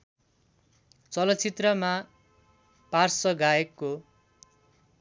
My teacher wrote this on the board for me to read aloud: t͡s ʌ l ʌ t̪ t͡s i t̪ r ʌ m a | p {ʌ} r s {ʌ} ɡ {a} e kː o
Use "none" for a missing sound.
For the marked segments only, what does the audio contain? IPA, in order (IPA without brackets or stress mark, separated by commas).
a, ʌ, a